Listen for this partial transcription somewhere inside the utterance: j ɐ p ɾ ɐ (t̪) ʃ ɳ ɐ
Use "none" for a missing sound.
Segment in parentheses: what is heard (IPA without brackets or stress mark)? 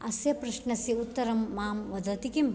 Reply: none